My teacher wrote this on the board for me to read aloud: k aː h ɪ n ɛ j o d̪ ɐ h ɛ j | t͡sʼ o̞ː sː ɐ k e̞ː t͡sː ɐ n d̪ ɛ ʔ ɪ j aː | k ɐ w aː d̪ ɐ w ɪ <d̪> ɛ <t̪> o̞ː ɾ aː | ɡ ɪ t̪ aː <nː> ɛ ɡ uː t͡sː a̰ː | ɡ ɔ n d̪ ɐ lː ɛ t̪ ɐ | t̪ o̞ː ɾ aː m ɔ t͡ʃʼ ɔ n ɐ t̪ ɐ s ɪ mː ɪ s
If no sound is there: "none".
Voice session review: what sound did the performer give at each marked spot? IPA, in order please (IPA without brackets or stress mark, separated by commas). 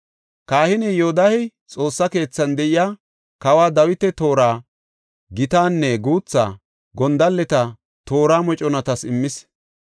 t̪, t̪, nː